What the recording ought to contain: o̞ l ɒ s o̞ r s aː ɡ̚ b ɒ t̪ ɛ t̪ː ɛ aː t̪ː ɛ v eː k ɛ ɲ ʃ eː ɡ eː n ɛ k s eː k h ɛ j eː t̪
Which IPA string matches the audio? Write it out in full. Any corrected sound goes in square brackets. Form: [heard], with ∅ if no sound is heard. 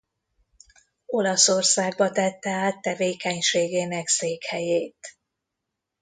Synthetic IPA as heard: o̞ l ɒ s o̞ r s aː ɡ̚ b ɒ t̪ ɛ t̪ː ɛ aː t̪ː ɛ v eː k ɛ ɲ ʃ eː ɡ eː n ɛ k s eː k h ɛ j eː t̪